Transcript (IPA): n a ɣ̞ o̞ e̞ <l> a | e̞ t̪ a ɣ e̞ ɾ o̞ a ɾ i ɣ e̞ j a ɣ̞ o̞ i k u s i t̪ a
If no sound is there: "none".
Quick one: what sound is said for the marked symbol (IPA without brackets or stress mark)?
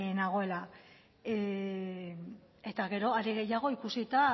l